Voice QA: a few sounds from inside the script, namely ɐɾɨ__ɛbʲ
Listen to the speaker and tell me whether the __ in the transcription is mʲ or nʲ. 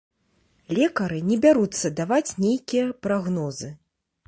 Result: nʲ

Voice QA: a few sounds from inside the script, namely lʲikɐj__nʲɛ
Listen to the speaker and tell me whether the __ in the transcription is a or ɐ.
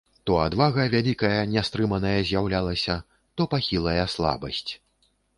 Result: ɐ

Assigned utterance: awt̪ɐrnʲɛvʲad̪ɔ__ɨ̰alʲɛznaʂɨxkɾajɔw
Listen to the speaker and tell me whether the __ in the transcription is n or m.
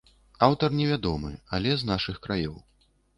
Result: m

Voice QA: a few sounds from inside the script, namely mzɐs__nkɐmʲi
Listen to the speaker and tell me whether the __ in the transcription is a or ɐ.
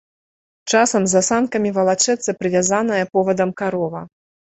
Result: a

